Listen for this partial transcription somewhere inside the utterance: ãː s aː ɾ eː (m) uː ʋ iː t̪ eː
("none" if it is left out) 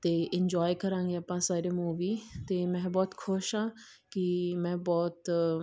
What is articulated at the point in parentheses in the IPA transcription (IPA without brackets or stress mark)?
m